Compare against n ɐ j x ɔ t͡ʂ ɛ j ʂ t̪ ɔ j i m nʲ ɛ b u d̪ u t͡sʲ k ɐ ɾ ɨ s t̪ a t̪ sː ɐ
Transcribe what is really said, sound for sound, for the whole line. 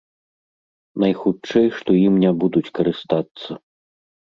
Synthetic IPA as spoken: n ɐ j x u t͡ʂ ɛ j ʂ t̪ ɔ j i m nʲ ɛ b u d̪ u t͡sʲ k ɐ ɾ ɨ s t̪ a t̪ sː ɐ